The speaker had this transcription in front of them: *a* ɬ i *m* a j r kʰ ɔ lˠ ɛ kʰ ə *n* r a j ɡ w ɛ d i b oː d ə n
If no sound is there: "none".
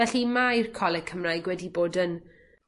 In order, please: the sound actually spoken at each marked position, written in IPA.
ɛ, m, m

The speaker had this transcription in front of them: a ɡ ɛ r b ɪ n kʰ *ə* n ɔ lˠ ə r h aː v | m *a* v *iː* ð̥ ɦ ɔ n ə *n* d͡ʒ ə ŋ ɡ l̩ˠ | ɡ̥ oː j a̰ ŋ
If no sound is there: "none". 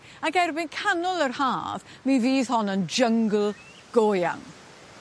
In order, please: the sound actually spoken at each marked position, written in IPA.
a, i, iː, n

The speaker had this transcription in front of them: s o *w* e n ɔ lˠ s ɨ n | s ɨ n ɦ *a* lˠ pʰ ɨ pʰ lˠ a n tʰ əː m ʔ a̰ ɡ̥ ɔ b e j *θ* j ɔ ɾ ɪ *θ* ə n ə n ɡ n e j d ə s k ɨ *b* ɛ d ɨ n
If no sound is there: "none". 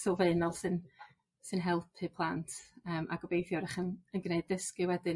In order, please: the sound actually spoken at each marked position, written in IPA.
v, ɛ, θ, χ, w

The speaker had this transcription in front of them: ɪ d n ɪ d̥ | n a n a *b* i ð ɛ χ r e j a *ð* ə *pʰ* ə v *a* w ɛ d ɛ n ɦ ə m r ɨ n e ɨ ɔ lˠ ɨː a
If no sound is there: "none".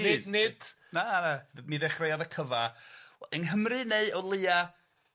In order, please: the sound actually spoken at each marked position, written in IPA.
m, ð, kʰ, a

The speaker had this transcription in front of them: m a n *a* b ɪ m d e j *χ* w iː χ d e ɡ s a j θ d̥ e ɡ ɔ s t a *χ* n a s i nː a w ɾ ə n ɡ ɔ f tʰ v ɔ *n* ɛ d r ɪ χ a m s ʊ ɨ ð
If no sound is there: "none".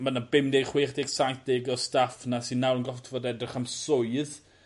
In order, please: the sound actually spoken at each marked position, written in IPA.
a, χ, f, d

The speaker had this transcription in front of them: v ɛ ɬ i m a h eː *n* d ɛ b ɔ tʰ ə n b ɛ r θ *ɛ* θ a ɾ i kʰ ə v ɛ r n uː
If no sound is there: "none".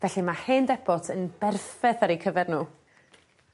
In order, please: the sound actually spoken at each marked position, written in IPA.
n, ɛ

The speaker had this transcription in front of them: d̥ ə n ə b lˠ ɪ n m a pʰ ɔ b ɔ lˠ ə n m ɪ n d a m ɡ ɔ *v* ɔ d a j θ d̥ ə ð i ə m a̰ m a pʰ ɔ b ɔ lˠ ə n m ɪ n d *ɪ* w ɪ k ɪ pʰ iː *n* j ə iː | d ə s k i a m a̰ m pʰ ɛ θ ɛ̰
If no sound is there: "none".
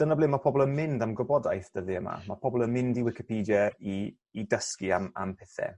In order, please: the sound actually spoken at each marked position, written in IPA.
b, i, d

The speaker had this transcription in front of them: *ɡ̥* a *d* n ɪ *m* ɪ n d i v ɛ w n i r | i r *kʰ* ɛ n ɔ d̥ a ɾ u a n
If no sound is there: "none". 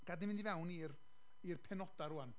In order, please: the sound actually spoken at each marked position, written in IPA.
ɡ̥, d, m, pʰ

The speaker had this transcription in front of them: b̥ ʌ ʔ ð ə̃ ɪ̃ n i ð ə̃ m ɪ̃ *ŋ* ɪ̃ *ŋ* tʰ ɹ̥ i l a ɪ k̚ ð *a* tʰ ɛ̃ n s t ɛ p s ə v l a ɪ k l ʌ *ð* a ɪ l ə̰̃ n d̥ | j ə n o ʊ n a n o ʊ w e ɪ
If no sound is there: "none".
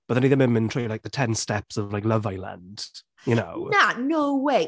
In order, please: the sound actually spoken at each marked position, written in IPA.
m, n, ə, v

